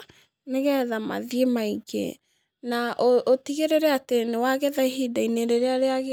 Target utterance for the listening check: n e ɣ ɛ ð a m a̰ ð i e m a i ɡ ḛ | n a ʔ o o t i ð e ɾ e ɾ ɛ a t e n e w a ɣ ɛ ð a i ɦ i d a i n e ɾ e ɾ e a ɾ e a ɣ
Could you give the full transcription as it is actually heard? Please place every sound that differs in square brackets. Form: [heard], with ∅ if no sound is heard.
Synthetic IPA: n e ɣ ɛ ð a m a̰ ð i e m a i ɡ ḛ | n a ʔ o o t i [ɣ] e ɾ e ɾ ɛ a t e n e w a ɣ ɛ ð a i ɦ i d a i n e ɾ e ɾ e a ɾ e a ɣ

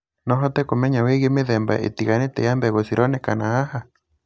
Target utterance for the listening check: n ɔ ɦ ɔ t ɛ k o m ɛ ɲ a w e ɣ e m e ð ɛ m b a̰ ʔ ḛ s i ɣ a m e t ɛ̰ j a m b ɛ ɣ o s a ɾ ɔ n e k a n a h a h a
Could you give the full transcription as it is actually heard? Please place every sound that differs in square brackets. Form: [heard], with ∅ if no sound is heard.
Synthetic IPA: n ɔ ɦ ɔ t ɛ k o m ɛ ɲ a w e ɣ e m e ð ɛ m b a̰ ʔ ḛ [t] i ɣ a [n] e t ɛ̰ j a m b ɛ ɣ o s [i] ɾ ɔ n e k a n a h a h a

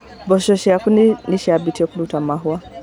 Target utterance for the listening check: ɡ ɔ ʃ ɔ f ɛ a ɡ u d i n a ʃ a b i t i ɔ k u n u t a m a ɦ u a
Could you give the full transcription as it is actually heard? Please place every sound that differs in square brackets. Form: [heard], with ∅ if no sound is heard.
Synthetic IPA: [b] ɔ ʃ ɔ [ʃ] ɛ a [k] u [n] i n [i] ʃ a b i t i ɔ k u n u t a m a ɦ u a

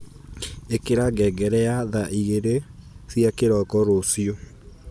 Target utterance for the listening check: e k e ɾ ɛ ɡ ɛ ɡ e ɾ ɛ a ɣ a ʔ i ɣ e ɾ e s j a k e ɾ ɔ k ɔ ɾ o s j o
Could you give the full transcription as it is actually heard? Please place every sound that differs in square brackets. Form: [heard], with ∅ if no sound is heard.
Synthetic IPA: e k e ɾ [a] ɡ ɛ ɡ [ɛ] ɾ ɛ a [ð] a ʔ i ɣ e ɾ e s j a k e ɾ ɔ k ɔ ɾ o s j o

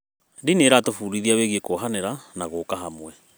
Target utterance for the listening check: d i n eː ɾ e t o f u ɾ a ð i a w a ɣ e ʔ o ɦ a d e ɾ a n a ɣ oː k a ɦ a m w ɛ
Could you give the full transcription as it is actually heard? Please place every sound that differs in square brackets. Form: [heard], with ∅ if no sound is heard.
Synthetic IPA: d i n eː ɾ [a] t o f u ɾ [i] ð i a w [e] ɣ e [k] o ɦ a [n] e ɾ a n a ɣ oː k a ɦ a m w ɛ

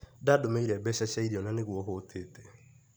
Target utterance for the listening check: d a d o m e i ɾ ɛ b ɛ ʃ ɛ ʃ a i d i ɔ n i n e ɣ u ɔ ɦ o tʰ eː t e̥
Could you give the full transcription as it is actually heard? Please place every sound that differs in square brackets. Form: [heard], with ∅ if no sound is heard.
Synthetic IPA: d a d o m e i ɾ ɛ b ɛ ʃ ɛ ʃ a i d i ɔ n [a] n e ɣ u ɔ ɦ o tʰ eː t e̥

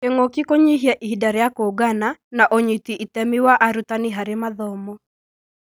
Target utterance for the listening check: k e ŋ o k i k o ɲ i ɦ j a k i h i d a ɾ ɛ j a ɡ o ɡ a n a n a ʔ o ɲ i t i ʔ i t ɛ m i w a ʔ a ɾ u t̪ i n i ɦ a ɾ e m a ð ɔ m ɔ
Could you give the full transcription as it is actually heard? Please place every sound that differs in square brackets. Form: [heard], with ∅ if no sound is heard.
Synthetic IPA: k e ŋ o k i k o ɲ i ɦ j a [ʔ] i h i d a ɾ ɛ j a [k] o ɡ a n a n a ʔ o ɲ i t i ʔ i t ɛ m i w a ʔ a ɾ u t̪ [a] n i ɦ a ɾ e m a ð ɔ m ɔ

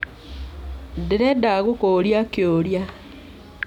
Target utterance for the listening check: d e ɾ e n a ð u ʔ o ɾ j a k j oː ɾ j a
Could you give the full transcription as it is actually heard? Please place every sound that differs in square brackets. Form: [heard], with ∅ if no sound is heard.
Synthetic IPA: d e ɾ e [d] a [ɣ] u [k] o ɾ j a k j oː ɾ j a

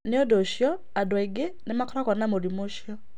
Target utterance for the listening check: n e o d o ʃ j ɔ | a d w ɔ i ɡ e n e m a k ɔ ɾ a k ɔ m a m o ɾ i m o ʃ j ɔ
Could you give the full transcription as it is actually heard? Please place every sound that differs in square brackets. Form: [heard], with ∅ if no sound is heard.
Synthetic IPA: n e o d o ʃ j ɔ | a d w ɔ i ɡ e n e m a k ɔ ɾ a k ɔ [n] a m o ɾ i m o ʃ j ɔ

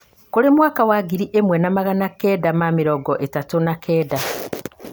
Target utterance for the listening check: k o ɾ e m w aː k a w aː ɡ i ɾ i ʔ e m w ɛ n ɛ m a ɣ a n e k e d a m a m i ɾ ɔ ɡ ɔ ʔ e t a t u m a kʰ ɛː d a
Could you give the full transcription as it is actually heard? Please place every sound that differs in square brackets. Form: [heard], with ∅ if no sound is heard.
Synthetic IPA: k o ɾ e m w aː k a w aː ɡ i ɾ i ʔ e m w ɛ n [a] m a ɣ a n [a] k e d a m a m i ɾ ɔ ɡ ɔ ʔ e t a t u [n] a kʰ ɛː d a

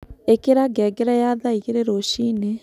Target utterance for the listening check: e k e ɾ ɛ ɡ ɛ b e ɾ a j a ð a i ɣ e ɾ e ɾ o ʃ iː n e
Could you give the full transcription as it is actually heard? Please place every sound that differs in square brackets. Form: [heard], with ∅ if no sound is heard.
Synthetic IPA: e k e ɾ [a] ɡ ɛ [ɡ] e ɾ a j a ð a i ɣ e ɾ e ɾ o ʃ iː n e

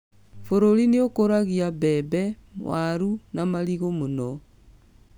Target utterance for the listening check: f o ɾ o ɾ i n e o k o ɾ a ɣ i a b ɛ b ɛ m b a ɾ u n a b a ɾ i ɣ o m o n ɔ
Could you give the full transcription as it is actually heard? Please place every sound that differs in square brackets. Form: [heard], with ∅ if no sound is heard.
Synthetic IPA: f o ɾ o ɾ i n e o k o ɾ a ɣ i a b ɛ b ɛ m [w] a ɾ u n a [m] a ɾ i ɣ o m o n ɔ

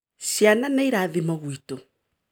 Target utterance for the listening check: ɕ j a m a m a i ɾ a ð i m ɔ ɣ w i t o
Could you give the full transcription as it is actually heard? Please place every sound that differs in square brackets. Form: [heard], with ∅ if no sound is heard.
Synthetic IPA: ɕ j a [n] a [n] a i ɾ a ð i m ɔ ɣ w i t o

